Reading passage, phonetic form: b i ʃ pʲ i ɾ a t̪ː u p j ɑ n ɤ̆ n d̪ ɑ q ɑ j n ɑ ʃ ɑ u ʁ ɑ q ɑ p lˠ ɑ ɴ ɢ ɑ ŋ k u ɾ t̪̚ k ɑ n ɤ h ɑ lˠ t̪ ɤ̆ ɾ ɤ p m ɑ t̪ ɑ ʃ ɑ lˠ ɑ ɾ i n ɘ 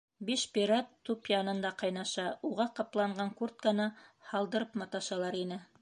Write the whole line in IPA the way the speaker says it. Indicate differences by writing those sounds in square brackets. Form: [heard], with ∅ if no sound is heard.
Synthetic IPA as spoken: b i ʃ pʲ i ɾ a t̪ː u p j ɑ n ɤ̆ n d̪ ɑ q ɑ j n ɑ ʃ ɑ u ʁ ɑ q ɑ p lˠ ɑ ɴ ɢ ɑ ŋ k u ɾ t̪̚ k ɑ n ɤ h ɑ lˠ [d̪] ɤ̆ ɾ ɤ p m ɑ t̪ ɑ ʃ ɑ lˠ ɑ ɾ i n ɘ